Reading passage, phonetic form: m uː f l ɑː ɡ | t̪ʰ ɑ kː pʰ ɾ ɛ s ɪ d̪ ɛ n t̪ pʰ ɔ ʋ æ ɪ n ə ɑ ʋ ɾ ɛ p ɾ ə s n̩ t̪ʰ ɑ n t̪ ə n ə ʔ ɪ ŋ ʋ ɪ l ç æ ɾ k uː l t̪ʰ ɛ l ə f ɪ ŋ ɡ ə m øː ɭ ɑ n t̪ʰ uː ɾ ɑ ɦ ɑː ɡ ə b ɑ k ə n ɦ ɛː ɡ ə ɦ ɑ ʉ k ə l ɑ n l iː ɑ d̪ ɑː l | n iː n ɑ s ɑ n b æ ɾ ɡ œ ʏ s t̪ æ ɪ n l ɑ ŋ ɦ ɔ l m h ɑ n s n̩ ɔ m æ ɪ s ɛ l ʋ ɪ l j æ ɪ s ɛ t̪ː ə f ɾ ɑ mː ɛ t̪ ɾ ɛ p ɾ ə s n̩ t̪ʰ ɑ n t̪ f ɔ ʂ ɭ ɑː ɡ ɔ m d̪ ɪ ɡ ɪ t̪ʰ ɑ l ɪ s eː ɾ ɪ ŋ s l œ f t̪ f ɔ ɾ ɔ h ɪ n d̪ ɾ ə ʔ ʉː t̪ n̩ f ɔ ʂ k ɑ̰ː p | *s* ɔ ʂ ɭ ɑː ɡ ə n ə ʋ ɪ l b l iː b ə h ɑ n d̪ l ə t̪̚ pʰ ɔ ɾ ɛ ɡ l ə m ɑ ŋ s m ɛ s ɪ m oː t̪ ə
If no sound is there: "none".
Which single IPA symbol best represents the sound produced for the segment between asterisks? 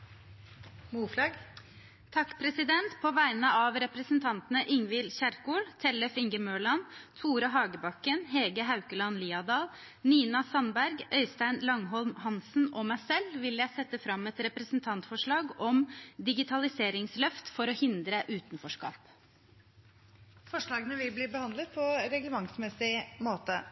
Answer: f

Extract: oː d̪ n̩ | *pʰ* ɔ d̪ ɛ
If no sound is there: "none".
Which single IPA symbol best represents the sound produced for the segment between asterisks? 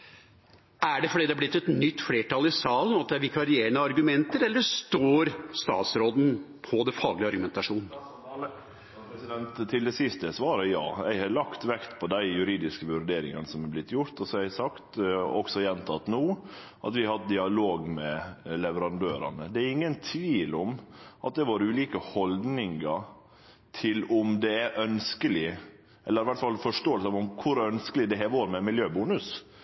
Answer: pʰ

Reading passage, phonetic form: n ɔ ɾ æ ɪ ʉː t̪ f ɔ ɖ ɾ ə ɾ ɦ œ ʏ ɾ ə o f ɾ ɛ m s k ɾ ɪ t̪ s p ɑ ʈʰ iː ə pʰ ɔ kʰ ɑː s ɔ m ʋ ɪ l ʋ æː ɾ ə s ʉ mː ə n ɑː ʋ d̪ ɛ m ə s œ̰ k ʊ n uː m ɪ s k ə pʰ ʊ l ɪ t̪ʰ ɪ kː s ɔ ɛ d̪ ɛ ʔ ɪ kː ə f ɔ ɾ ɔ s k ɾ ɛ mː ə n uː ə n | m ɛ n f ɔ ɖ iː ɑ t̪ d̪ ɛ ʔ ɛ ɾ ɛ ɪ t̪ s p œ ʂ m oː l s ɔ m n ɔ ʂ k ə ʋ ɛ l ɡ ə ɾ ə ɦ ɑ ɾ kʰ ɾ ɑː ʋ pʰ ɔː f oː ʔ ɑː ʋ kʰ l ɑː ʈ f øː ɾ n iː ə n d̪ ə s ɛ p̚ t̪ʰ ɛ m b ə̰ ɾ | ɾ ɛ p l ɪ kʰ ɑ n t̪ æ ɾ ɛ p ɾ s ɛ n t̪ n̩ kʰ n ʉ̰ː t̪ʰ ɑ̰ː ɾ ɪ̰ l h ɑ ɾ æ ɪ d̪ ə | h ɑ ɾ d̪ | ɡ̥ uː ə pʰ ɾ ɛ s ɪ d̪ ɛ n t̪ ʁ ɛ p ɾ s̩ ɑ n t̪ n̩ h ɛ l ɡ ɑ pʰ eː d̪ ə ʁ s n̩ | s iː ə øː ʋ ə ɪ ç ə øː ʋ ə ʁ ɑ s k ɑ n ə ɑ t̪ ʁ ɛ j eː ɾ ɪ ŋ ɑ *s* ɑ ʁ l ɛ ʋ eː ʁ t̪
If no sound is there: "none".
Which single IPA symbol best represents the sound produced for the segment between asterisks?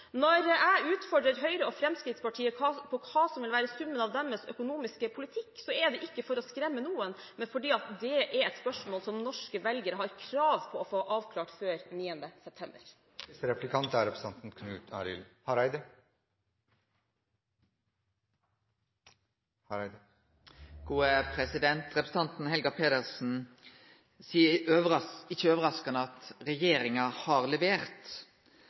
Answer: h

